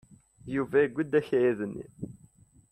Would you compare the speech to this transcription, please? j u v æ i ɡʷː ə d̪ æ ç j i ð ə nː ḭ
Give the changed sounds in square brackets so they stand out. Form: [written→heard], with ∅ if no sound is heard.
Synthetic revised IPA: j u v æ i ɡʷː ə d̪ æ ç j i ð ə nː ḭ